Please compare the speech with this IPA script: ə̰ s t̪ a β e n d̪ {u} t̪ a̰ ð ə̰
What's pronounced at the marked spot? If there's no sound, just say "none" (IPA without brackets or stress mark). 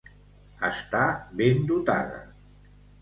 u